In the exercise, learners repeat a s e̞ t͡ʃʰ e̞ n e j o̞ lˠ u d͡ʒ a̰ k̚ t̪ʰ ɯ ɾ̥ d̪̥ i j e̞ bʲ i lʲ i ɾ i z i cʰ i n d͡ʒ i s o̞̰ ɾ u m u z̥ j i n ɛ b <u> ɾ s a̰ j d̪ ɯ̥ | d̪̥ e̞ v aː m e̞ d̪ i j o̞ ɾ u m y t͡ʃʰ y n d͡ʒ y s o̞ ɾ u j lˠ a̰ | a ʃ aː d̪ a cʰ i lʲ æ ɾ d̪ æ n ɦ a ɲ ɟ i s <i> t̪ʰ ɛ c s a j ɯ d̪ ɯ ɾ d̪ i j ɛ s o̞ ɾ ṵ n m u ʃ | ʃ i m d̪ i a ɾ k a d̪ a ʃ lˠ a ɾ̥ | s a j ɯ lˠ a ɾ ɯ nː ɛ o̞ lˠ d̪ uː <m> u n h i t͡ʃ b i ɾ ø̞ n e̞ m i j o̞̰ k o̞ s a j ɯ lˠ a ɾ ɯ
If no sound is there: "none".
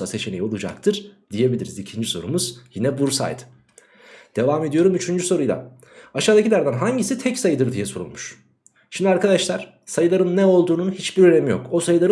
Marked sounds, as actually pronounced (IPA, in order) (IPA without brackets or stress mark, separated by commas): u, i, n